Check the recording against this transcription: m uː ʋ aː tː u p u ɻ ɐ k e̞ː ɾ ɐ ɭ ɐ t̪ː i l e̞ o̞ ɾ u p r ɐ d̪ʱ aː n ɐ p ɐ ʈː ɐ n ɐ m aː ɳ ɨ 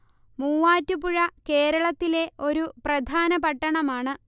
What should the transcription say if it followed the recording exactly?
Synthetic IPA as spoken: m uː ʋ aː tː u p u ɻ ɐ k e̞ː ɾ ɐ ɭ ɐ t̪ː i l e̞ o̞ ɾ u p r ɐ d̪ʱ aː n ɐ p ɐ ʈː ɐ ɳ ɐ m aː ɳ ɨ